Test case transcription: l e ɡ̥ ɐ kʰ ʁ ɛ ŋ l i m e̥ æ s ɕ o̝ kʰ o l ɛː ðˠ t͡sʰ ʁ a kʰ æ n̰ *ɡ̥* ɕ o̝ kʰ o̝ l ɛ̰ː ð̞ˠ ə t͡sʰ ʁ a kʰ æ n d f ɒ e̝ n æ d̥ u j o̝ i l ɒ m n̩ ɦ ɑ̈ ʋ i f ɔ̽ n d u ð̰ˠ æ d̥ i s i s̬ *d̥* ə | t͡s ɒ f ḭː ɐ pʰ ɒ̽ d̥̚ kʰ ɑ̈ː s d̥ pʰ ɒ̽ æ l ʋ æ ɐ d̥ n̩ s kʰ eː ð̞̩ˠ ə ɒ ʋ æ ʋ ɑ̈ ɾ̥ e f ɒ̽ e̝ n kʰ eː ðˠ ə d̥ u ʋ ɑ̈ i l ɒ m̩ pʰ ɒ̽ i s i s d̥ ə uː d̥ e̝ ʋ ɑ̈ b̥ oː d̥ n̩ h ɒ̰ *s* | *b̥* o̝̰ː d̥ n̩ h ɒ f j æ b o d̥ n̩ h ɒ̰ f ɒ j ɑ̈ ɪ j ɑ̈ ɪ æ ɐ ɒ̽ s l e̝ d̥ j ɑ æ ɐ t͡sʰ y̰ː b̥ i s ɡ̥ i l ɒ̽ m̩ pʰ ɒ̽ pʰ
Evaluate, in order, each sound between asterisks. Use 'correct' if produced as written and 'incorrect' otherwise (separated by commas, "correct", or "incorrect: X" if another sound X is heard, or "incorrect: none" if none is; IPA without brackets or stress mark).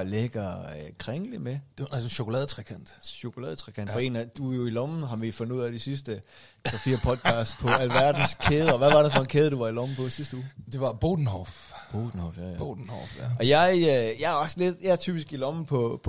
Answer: incorrect: d̥, correct, incorrect: f, correct